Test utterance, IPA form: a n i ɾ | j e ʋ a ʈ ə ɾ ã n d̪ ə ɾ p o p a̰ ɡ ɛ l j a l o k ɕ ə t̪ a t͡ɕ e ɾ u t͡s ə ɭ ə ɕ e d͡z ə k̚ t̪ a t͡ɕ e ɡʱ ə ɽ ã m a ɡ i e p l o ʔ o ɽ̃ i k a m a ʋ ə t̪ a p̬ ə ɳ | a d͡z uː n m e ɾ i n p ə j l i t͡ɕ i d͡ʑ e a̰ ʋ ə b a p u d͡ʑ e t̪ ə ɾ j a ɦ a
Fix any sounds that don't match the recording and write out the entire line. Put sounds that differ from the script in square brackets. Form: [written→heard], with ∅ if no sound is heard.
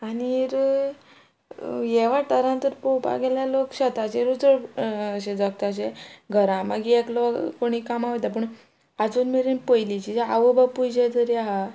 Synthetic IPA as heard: a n i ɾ | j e ʋ a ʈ ə ɾ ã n [d̪→t̪] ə ɾ p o p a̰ ɡ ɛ l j a l o k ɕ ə t̪ a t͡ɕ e ɾ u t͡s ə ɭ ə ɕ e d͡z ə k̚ t̪ a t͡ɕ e ɡʱ ə [ɽ→ɾ] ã m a ɡ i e [p→k] l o [ʔ→k] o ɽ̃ i k a m a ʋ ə t̪ a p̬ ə ɳ | a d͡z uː n m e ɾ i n p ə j l i t͡ɕ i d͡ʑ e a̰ ʋ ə b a p u d͡ʑ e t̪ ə ɾ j a ɦ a

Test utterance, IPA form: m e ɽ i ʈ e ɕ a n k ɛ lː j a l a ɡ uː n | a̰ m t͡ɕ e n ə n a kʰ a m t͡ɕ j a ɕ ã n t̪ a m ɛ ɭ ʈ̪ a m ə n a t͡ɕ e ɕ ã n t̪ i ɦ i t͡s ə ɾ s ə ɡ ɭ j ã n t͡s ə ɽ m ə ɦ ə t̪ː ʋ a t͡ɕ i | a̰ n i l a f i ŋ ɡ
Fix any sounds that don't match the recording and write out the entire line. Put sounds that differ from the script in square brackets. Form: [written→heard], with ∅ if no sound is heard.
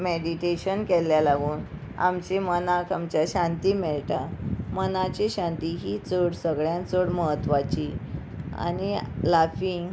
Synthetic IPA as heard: m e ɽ i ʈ e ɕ [a→ə] n k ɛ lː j a l a ɡ uː n | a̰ m t͡ɕ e [n→m] ə n a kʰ a m t͡ɕ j a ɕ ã n t̪ [a→i] m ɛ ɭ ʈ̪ a m ə n a t͡ɕ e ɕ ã n t̪ i ɦ i t͡s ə [ɾ→ɽ] s ə ɡ ɭ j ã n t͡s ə ɽ m ə ɦ ə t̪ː ʋ a t͡ɕ i | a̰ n i l a f i ŋ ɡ

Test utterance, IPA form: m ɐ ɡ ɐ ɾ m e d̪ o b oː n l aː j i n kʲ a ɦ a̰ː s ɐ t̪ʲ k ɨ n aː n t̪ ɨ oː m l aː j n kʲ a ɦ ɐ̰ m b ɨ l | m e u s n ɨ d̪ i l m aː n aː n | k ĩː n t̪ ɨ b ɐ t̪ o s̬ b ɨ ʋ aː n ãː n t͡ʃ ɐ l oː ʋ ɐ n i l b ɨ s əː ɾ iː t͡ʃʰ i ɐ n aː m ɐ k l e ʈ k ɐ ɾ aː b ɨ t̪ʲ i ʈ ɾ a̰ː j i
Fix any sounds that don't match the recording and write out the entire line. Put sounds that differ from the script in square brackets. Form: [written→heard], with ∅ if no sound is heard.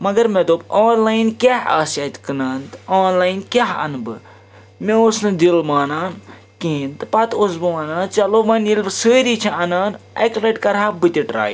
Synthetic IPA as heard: m ɐ ɡ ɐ ɾ m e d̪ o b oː n l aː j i n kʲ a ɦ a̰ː s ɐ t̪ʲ k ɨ n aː n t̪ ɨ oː [m→n] l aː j n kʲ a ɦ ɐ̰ [m→n] b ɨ [l→∅] | m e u s n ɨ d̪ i l m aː n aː n | k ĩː n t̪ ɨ [b→p] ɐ t̪ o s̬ b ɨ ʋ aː n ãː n t͡ʃ ɐ l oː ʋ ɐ n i l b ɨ s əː ɾ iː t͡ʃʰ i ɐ n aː [m→n] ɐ k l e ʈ k ɐ ɾ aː b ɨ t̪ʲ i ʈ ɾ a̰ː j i

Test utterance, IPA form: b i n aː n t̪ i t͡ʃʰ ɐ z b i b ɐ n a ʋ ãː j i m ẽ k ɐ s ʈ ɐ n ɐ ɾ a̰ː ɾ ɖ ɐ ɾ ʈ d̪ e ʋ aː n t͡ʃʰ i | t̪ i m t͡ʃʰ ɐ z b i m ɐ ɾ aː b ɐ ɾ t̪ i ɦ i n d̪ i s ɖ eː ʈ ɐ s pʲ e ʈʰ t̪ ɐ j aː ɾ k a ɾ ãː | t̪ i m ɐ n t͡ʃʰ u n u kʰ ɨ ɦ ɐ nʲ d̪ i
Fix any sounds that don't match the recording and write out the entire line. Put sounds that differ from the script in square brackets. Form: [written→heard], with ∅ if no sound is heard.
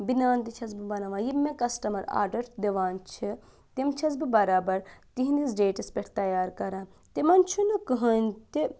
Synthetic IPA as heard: b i n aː n t̪ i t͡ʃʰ ɐ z b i b ɐ n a ʋ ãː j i m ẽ k ɐ s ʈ ɐ [n→m] ɐ ɾ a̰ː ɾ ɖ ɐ ɾ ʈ d̪ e ʋ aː n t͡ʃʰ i | t̪ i m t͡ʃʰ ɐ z b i [m→b] ɐ ɾ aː b ɐ ɾ t̪ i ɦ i n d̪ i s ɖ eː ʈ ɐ s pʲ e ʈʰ t̪ ɐ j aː ɾ k [a→ɐ] ɾ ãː | t̪ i m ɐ n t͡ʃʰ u n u [kʰ→k] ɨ ɦ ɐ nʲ [d̪→t̪] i

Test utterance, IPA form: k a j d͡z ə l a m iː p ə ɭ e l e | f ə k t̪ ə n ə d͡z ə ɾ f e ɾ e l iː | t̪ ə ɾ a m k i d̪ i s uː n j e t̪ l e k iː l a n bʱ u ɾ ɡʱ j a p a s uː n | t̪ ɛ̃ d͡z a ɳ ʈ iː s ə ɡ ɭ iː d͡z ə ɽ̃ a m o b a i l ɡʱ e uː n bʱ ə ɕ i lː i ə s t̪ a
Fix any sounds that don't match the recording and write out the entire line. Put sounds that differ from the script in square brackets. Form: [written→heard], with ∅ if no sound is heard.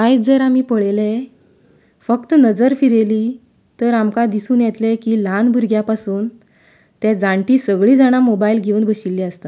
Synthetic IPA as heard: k a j d͡z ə [l→ɾ] a m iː p ə ɭ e l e | f ə k t̪ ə n ə d͡z ə ɾ f [e→i] ɾ e l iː | t̪ ə ɾ a m k [i→a] d̪ i s uː n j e t̪ l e k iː l a n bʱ u ɾ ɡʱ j a p a s uː n | t̪ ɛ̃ d͡z a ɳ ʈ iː s ə ɡ ɭ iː d͡z [ə→a] ɽ̃ a m o b a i l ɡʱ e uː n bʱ ə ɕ i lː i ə s t̪ a

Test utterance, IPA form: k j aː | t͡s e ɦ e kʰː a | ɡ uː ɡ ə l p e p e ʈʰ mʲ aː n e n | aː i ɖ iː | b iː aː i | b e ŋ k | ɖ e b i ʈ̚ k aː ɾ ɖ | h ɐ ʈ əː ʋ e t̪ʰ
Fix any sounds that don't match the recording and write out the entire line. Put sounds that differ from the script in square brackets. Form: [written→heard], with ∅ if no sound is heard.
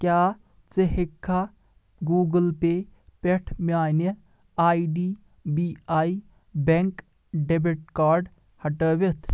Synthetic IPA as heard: k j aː | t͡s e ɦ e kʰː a | ɡ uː ɡ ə l p e p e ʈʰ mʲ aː n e [n→∅] | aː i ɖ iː | b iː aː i | b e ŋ k | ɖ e b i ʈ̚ k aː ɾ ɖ | h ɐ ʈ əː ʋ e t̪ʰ

